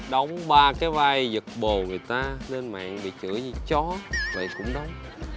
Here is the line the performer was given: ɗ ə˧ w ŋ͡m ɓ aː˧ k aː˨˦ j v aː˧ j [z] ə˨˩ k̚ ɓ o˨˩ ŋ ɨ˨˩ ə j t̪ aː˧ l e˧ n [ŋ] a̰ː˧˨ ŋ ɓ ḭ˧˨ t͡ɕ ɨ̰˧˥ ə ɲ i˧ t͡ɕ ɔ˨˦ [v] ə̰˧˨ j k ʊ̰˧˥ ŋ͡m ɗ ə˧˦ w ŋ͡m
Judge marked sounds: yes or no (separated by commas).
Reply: yes, no, yes